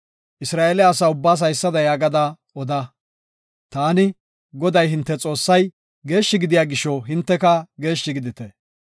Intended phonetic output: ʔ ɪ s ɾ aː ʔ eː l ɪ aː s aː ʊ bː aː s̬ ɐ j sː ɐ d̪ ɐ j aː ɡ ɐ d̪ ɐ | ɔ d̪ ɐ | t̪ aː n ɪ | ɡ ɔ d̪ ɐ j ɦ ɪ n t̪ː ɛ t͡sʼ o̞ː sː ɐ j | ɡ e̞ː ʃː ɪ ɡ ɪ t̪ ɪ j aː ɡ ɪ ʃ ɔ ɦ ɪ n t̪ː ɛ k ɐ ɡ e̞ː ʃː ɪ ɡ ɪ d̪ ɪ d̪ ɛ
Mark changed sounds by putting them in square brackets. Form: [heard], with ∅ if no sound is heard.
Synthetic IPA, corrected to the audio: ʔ ɪ s ɾ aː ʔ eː l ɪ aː s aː ʊ bː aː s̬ ɐ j sː ɐ d̪ ɐ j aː ɡ ɐ d̪ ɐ | ɔ d̪ ɐ | t̪ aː n ɪ | ɡ ɔ d̪ ɐ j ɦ ɪ n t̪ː ɛ t͡sʼ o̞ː sː ɐ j | ɡ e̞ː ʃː ɪ ɡ ɪ [d̪] ɪ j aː ɡ ɪ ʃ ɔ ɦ ɪ n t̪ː ɛ k ɐ ɡ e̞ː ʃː ɪ ɡ ɪ d̪ ɪ [t̪] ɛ